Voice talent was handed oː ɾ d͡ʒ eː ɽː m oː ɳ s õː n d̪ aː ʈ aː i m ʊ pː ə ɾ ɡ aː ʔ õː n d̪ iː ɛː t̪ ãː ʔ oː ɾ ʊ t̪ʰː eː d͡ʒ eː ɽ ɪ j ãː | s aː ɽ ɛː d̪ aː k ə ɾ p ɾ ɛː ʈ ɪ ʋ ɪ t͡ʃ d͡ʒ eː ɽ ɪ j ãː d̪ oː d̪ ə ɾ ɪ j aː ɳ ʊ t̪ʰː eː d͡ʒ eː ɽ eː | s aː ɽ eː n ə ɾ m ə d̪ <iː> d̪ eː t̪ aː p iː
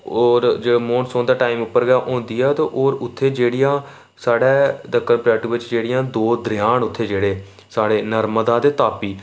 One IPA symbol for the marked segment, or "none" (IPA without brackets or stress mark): aː